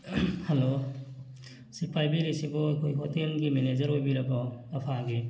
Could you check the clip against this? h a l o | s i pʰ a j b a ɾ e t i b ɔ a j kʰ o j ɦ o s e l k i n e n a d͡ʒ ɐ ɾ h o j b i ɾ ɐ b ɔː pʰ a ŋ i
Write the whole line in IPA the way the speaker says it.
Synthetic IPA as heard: h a l o | s i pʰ a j b i ɾ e s i b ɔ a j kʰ o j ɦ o t e l ɡ i m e n e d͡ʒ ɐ ɾ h o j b i ɾ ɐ b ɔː pʰ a ɡ i